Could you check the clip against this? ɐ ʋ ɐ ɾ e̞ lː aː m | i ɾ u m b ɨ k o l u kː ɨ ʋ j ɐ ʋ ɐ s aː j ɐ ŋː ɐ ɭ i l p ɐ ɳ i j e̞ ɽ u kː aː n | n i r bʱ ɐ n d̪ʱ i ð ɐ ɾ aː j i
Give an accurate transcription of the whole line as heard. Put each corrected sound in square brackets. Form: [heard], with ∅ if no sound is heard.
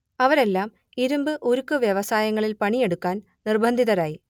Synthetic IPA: ɐ ʋ ɐ ɾ e̞ lː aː m | i ɾ u m b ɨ [ʔ] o [ɾ] u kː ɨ ʋ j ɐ ʋ ɐ s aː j ɐ ŋː ɐ ɭ i l p ɐ ɳ i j e̞ ɽ u kː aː n | n i r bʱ ɐ n d̪ʱ i ð ɐ ɾ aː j i